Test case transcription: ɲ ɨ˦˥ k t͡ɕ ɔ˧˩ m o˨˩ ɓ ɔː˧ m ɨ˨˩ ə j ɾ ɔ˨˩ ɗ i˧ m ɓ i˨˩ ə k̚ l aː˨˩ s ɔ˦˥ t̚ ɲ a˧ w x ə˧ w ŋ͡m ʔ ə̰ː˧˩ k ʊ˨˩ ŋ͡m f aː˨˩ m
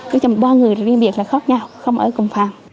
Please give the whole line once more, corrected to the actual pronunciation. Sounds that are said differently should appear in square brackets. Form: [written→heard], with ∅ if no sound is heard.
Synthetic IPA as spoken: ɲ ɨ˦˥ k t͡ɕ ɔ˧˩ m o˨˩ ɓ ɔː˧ [m→ŋ] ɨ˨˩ ə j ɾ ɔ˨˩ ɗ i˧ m ɓ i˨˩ ə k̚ l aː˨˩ [s→x] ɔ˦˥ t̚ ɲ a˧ w x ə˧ w ŋ͡m ʔ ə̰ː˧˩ k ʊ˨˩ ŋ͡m f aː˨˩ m